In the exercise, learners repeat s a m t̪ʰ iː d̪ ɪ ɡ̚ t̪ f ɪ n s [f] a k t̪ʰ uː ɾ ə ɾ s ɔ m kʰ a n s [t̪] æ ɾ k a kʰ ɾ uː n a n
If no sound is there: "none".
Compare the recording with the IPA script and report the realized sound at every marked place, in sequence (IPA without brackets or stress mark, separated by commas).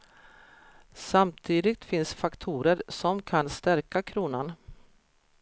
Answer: f, t̪